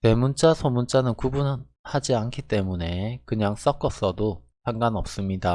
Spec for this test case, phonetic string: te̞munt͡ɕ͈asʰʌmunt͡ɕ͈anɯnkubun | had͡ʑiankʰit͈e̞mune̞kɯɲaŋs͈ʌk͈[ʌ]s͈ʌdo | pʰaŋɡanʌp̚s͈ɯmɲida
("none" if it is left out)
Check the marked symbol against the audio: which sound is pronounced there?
ʌ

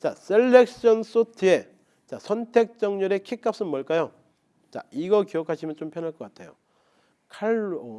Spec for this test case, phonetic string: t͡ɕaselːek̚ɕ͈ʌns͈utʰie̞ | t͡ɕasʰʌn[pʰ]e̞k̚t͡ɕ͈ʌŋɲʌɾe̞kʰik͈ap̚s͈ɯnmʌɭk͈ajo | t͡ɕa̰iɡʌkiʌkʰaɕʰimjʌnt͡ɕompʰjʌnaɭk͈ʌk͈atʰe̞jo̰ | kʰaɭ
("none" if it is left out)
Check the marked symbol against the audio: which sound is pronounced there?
tʰ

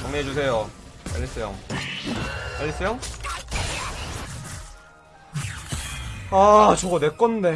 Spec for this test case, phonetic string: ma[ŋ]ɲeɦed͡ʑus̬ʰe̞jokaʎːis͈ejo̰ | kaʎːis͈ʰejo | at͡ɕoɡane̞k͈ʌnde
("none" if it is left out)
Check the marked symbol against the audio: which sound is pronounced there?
ŋ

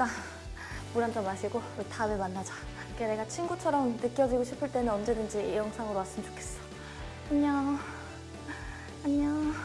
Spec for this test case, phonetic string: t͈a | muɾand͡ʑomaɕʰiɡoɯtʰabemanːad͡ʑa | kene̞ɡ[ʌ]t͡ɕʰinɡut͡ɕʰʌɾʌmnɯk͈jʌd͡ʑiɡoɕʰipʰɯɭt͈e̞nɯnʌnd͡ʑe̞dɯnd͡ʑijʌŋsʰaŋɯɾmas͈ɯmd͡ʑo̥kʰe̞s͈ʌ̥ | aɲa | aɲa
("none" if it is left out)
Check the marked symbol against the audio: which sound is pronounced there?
a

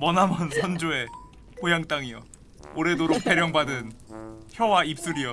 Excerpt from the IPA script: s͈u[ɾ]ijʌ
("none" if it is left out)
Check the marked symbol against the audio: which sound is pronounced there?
ɾ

